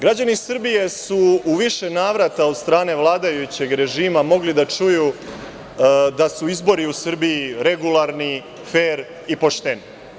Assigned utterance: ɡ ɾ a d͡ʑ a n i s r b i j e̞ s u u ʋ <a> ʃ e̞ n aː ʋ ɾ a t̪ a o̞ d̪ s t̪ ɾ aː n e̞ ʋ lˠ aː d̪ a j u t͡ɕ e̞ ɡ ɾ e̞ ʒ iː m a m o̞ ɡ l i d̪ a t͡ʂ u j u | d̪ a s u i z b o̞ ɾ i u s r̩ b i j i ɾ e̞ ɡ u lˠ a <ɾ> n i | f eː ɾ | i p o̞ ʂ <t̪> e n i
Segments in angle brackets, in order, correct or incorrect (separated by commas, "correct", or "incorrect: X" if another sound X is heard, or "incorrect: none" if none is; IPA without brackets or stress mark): incorrect: i, correct, correct